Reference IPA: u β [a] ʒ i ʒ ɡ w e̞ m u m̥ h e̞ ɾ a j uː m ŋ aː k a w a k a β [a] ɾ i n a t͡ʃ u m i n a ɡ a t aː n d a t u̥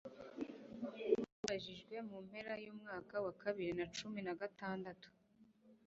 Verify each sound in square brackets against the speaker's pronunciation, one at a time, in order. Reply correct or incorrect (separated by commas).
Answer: correct, incorrect